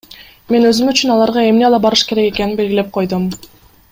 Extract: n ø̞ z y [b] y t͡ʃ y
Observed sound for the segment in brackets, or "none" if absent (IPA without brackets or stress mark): m